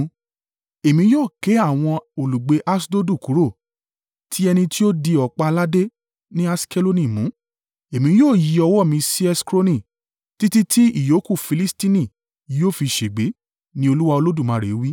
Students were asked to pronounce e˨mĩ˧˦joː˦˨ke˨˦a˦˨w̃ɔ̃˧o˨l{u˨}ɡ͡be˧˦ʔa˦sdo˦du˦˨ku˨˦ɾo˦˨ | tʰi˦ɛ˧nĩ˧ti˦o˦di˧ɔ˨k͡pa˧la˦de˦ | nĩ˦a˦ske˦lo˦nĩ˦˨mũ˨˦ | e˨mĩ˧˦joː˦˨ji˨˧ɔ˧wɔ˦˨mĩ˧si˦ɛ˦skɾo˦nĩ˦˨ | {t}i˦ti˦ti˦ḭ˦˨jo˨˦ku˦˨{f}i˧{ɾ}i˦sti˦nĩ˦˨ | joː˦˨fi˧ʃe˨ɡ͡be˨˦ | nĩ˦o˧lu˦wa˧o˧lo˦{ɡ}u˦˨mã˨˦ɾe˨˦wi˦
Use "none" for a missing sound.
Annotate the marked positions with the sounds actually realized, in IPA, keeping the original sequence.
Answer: u˨, t, f, l, d

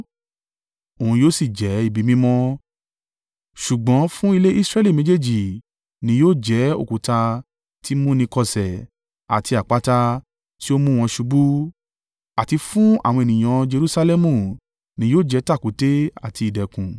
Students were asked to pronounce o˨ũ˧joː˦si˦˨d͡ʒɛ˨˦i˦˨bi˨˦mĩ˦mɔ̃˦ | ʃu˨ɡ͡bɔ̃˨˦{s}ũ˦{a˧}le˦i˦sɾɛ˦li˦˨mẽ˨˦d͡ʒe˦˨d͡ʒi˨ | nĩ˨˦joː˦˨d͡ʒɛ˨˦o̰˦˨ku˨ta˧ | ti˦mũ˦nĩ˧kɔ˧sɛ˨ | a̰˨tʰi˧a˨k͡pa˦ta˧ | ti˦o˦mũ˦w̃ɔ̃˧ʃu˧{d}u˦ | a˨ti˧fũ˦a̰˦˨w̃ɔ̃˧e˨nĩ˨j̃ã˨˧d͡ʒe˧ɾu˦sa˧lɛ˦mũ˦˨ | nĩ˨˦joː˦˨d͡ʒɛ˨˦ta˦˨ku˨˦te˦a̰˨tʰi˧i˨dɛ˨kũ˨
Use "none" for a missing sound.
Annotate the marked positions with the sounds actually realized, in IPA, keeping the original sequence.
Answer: f, i˧, b

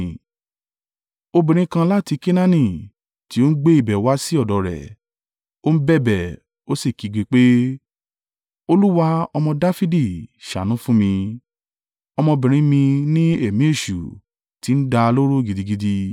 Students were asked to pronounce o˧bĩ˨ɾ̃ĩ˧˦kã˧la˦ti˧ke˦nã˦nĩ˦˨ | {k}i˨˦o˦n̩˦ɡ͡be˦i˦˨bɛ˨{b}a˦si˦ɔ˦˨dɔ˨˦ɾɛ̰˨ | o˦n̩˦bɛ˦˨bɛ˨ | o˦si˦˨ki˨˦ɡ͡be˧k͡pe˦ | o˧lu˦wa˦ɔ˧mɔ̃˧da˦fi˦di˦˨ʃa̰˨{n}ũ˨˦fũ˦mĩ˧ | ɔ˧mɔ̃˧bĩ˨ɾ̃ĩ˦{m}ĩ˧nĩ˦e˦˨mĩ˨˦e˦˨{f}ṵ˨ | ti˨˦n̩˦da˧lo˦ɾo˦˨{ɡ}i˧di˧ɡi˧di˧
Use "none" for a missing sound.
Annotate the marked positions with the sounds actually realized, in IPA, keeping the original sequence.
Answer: t, w, n, m, ʃ, ɡ

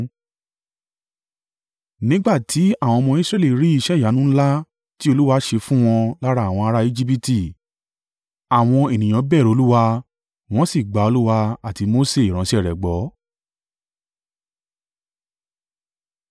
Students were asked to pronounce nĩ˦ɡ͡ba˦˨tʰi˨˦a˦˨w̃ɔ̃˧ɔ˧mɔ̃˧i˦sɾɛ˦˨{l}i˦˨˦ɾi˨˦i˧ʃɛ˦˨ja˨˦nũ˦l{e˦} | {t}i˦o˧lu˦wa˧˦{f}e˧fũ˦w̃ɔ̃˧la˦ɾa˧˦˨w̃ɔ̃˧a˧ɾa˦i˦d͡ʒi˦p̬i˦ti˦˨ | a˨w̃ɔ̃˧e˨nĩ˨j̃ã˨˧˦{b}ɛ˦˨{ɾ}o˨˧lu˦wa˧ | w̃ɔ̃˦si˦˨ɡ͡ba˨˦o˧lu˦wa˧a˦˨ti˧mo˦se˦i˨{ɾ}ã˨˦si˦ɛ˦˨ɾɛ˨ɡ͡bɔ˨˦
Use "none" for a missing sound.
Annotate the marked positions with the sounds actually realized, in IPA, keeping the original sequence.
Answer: l, a˦, t, ʃ, b, ɾ, ɾ

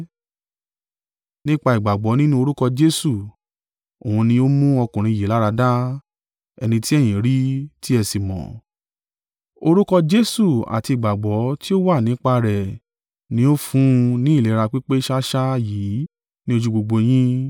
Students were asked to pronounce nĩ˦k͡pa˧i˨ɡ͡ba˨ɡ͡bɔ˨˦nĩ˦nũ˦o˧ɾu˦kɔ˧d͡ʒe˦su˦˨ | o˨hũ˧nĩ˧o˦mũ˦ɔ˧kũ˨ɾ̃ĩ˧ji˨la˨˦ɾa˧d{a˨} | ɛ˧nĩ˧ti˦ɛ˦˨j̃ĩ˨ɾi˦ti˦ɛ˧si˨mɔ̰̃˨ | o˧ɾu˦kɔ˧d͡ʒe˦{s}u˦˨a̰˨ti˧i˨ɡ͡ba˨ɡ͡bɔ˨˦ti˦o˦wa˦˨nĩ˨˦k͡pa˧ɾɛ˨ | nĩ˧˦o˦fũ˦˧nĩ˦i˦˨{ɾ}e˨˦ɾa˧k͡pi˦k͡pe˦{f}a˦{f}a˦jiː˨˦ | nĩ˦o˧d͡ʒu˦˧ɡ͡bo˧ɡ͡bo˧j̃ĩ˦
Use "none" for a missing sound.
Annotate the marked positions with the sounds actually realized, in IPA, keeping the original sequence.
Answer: a˦, s, l, ʃ, ʃ

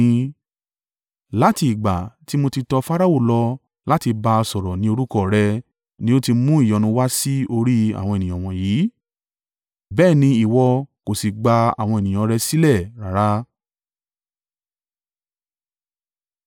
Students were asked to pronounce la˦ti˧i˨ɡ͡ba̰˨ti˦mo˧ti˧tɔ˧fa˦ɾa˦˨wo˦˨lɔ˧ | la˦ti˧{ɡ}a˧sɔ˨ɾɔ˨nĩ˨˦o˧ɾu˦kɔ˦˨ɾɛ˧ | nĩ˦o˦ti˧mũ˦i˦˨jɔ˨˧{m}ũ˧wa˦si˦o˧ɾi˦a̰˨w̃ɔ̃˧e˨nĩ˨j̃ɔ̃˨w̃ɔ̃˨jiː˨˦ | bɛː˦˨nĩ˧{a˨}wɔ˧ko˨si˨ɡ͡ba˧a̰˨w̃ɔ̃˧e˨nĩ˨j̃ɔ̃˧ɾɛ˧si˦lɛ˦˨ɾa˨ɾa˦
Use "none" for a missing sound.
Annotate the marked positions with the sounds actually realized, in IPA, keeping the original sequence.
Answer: b, n, i˨

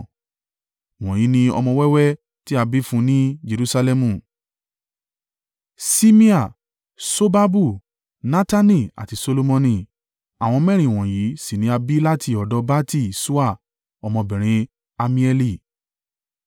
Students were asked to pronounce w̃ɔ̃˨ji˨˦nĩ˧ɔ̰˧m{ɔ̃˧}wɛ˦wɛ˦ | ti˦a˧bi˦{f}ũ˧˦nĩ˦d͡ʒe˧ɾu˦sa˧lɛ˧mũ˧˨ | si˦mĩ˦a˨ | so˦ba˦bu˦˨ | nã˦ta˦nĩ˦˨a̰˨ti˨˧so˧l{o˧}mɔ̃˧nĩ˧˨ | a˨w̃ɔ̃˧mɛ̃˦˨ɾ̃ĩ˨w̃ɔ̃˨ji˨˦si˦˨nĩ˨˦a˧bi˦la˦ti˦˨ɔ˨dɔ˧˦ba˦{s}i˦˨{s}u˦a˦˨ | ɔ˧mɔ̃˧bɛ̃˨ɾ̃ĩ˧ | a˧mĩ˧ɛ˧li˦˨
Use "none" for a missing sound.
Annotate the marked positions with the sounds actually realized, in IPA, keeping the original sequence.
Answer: ɔ̃˧, f, o˧, t, s

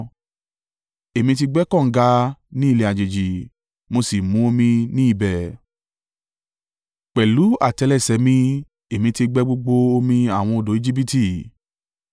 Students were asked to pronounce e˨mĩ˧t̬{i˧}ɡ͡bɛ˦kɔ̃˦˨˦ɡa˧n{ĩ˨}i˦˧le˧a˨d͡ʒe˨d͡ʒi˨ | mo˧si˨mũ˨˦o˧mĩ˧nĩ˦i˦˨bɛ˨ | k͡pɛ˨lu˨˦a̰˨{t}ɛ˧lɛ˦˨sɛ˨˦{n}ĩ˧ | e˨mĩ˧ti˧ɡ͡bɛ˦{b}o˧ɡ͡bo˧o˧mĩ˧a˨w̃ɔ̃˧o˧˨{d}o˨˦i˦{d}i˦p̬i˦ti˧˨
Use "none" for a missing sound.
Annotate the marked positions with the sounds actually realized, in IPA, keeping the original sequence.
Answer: i˧, ĩ˦, t, m, ɡ͡b, d, d͡ʒ

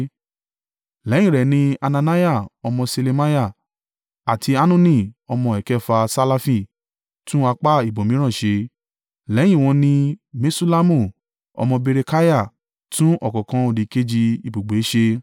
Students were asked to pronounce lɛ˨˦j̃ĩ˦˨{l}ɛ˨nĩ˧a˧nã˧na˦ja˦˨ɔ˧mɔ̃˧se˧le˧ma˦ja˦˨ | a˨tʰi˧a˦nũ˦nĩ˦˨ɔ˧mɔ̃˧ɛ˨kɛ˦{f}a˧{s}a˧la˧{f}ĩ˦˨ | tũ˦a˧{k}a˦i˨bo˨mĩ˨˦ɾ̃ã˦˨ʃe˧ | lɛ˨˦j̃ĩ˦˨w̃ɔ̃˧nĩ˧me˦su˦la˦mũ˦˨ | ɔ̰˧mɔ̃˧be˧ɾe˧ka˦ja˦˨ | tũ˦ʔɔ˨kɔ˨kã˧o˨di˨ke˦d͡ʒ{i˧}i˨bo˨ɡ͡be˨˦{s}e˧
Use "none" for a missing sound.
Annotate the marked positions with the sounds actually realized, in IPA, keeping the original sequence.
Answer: ɾ, f, s, f, k͡p, i˧, ʃ

